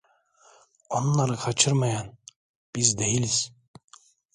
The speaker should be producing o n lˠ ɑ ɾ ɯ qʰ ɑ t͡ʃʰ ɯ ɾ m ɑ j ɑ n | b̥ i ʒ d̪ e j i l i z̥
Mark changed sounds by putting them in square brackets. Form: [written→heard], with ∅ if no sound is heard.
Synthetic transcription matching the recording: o n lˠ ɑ ɾ ɯ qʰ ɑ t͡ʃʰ ɯ ɾ m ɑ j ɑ n | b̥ i [ʒ→z] d̪ e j i l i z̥